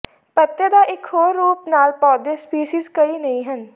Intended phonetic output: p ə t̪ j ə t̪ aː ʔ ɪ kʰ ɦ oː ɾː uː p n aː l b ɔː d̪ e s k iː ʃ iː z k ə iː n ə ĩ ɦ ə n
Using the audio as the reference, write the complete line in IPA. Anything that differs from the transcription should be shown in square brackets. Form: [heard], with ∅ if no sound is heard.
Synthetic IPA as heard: p ə t̪ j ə [d̪] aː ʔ ɪ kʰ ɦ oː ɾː uː p n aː l [p] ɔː d̪ e s [p] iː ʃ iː z k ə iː n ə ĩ ɦ ə n